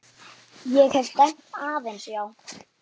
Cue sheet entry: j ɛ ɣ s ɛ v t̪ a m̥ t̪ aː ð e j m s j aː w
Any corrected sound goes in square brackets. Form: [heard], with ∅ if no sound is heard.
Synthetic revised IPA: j ɛ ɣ [h] ɛ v t̪ [ɛ] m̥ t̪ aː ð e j [n] s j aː w